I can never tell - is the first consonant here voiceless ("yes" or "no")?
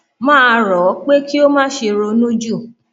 no